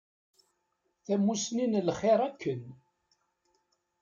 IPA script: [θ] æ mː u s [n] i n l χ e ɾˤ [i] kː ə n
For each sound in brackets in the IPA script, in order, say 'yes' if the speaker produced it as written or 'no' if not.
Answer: yes, yes, no

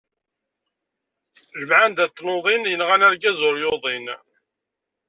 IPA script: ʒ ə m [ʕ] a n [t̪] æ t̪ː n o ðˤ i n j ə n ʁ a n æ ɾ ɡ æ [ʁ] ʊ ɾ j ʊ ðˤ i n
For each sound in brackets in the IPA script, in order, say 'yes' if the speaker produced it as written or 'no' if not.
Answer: yes, no, no

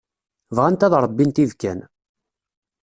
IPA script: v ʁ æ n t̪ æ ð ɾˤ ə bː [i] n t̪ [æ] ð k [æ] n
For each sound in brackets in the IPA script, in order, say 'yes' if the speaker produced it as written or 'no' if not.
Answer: yes, no, yes

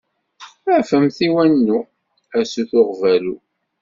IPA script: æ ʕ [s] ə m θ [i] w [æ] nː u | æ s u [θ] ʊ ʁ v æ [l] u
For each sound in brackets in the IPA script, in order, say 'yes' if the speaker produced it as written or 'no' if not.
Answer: no, yes, yes, yes, yes

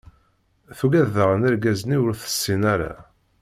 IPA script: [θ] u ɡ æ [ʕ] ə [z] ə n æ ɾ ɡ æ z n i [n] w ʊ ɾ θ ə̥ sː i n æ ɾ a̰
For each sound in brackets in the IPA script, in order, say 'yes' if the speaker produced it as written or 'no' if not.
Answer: yes, no, no, no

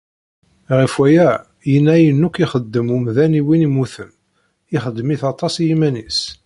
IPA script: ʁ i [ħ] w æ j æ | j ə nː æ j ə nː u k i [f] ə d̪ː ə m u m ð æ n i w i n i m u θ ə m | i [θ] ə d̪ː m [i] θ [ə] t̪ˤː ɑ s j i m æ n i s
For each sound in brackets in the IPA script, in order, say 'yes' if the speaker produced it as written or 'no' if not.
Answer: no, no, no, yes, no

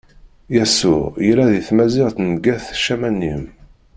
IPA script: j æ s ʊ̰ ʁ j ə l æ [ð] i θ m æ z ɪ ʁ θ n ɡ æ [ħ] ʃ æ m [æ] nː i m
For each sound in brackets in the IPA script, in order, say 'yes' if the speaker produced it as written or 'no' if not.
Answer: yes, no, yes

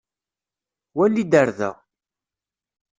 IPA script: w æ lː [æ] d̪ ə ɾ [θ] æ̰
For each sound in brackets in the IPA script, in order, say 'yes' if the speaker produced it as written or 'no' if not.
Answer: no, no

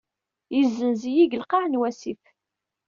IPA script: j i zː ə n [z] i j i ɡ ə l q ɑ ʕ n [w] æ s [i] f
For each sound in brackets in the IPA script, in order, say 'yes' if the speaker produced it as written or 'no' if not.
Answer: yes, yes, yes

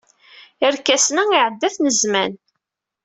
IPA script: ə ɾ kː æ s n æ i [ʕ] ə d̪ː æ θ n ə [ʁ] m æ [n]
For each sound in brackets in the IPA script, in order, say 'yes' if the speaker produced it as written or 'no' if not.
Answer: yes, no, yes

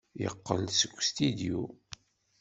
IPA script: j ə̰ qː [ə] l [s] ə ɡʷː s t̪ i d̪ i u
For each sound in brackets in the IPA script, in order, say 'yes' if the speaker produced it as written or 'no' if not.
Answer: yes, yes

